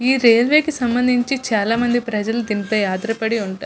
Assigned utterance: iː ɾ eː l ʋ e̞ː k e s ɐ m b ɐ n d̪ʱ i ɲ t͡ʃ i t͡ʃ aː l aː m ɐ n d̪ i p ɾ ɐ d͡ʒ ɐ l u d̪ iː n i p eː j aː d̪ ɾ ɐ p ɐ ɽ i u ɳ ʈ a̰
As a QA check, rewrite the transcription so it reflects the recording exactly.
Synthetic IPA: iː ɾ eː l ʋ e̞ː k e s ɐ m b ɐ n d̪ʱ i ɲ t͡ʃ i t͡ʃ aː l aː m ɐ n d̪ i p ɾ ɐ d͡ʒ ɐ l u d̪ i n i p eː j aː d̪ ɾ ɐ p ɐ ɽ i u ɳ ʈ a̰